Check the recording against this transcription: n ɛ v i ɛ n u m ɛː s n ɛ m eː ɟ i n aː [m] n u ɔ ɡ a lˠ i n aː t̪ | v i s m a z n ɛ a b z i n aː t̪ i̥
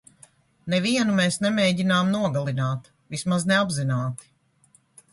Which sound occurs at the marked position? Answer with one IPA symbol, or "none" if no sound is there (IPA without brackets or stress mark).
m